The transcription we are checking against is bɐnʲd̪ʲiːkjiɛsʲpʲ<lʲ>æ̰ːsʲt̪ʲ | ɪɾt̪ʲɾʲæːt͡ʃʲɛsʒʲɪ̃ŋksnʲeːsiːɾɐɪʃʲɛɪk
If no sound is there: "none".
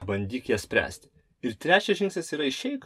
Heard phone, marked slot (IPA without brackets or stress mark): ɾʲ